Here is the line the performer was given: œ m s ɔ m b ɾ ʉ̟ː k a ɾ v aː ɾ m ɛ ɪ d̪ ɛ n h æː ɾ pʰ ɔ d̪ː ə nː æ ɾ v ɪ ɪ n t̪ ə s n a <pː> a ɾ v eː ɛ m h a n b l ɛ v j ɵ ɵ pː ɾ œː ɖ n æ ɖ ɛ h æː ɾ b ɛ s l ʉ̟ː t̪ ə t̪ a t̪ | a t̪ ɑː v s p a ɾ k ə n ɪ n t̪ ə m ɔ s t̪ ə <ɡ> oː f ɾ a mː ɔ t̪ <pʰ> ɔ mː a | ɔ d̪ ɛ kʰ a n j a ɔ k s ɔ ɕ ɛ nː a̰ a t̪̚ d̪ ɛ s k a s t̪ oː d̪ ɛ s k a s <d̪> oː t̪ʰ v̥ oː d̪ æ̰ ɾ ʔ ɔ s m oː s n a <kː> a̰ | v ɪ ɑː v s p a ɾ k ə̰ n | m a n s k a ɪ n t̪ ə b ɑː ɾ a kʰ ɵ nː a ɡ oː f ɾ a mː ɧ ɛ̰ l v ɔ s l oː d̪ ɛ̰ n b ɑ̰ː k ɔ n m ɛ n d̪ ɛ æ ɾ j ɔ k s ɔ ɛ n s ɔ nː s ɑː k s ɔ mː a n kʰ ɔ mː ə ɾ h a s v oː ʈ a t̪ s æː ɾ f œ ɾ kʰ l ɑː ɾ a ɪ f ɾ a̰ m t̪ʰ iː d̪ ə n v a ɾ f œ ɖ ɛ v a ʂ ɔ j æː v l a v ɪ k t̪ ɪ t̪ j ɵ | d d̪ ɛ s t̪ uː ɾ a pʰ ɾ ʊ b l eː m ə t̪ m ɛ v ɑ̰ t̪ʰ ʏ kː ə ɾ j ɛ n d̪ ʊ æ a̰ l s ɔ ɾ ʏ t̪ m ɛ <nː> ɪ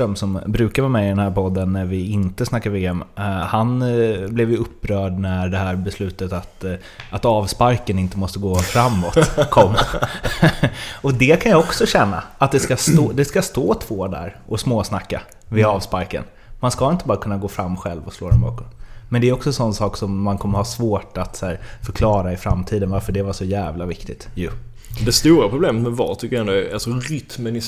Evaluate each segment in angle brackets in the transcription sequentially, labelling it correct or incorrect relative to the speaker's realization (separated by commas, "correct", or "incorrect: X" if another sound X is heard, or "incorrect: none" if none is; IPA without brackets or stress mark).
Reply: incorrect: kː, correct, incorrect: kʰ, incorrect: t̪, correct, incorrect: n